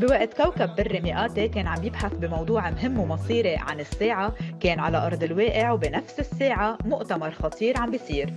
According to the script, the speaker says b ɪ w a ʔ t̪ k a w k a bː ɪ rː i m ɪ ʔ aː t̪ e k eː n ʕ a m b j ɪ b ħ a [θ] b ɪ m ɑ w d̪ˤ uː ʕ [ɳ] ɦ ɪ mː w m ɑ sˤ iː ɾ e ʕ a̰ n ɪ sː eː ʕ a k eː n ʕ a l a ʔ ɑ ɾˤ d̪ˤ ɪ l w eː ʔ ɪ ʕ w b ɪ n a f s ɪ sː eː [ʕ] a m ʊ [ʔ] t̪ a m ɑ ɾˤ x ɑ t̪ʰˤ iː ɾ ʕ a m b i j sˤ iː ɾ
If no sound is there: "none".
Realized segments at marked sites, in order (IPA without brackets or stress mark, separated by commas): θ, m, ʕ, ʔ